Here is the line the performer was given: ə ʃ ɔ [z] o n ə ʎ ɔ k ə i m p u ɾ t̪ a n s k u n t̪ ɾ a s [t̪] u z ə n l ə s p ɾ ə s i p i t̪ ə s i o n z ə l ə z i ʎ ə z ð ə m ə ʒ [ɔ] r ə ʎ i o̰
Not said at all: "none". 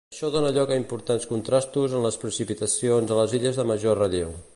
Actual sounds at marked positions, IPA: ð, t̪, o

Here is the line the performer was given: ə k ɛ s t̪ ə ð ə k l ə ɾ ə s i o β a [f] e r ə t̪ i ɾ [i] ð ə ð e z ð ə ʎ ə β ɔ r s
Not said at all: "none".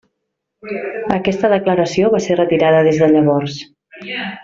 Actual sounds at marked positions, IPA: s, a

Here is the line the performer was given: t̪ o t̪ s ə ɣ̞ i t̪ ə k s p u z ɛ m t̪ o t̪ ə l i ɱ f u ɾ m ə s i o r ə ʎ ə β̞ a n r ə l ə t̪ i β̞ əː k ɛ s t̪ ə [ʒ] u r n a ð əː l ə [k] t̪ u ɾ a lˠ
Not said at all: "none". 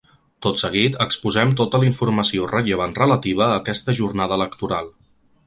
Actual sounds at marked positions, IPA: ʒ, k

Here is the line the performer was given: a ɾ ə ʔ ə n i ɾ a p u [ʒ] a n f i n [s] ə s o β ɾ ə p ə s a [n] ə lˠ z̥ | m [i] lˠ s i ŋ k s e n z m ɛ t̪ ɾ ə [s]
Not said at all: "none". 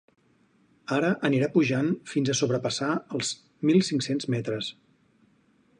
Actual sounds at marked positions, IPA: ʒ, z, none, i, s

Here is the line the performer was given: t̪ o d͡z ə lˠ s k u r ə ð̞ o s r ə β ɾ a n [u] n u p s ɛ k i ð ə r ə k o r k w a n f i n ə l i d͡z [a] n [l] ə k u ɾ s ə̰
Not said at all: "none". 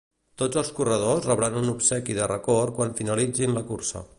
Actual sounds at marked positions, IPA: u, i, l

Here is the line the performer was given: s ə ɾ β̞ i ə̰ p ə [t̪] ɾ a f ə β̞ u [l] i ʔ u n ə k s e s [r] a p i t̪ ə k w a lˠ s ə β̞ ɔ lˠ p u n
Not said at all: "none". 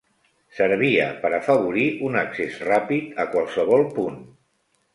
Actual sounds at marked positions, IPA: none, ɾ, r

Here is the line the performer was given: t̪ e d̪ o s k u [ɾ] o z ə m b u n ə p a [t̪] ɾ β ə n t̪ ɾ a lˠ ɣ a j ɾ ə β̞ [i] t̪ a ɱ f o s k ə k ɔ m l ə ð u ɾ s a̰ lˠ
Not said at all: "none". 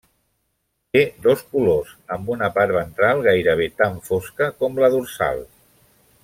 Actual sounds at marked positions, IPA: l, none, e

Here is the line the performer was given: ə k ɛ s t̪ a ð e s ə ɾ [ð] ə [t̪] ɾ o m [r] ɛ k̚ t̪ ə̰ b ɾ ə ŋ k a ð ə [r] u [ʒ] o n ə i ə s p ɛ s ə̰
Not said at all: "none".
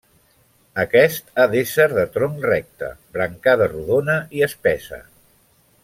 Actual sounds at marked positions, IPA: ð, t̪, r, r, ð

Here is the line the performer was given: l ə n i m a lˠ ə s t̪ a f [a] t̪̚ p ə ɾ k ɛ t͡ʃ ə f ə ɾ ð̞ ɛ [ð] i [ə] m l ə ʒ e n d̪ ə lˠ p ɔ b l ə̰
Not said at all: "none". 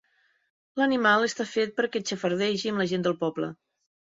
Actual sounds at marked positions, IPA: e, ʒ, ə

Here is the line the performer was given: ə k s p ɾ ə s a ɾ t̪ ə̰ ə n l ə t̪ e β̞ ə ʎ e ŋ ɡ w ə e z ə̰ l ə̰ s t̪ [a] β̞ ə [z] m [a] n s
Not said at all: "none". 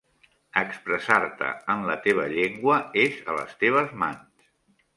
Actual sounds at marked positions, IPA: e, z, a

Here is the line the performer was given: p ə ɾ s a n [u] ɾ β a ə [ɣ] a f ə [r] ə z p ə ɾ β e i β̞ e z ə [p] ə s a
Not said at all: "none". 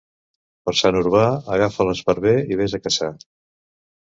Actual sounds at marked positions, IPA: u, ɣ, l, k

